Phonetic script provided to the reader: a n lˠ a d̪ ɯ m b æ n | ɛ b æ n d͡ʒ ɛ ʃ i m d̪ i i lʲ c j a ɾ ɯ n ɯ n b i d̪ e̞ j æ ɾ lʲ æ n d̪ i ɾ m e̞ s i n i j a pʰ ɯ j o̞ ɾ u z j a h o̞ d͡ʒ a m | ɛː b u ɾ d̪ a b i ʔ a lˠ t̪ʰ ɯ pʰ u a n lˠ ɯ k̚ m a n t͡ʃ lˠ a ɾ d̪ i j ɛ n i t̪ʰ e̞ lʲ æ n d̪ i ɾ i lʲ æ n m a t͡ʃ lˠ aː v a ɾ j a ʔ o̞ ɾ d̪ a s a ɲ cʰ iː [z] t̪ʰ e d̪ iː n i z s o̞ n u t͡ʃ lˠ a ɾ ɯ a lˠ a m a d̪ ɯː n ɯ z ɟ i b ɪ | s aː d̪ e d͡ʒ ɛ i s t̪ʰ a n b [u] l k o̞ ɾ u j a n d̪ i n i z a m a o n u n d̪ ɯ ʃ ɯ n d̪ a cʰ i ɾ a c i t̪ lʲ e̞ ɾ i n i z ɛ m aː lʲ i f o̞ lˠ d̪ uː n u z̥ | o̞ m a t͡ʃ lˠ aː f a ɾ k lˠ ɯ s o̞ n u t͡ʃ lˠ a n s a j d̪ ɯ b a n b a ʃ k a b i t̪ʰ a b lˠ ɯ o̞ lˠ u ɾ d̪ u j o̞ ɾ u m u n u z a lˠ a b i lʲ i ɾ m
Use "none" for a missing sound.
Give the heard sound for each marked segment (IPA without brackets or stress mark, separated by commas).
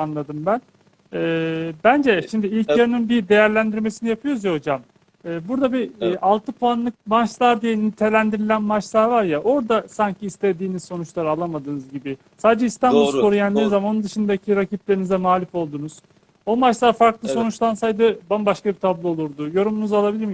s, u